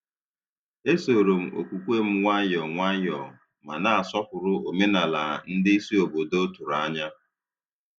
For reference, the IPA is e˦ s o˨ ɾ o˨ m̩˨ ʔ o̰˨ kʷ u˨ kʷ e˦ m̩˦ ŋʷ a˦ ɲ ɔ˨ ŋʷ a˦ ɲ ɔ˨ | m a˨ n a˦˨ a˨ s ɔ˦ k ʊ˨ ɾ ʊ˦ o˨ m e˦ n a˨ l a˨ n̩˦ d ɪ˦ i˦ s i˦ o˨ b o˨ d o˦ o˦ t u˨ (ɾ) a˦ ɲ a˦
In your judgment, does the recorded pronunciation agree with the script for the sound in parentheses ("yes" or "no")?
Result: yes